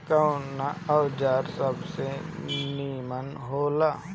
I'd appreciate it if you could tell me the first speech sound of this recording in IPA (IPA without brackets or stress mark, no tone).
k